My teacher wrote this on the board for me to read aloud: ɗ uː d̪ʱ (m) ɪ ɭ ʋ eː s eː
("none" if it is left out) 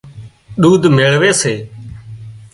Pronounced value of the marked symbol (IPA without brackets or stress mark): m